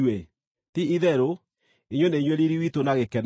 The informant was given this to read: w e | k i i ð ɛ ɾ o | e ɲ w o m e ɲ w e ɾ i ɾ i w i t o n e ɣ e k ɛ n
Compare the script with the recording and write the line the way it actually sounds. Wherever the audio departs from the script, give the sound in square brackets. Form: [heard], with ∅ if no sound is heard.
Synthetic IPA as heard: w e | [t] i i ð ɛ ɾ o | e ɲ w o [n] e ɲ w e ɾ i ɾ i w i t o n [a] ɣ e k ɛ n